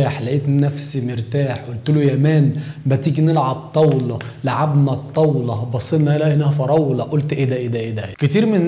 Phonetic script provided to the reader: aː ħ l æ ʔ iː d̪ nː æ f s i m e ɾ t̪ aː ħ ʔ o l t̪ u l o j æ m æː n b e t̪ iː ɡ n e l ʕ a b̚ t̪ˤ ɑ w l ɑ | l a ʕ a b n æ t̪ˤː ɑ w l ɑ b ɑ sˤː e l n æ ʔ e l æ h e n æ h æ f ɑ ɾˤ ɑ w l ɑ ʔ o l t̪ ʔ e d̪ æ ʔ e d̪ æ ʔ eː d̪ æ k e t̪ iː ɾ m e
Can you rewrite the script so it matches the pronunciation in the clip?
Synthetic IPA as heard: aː ħ l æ ʔ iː t̪ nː æ f s i m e ɾ t̪ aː ħ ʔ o l t̪ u l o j æ m æː n b æ t̪ iː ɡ n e l ʕ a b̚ t̪ˤ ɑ w l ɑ | l a ʕ a b n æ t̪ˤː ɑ w l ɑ b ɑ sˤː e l n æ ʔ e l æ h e n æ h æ f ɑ ɾˤ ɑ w l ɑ ʔ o l t̪ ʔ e d̪ æ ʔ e d̪ æ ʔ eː d̪ æ k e t̪ iː ɾ m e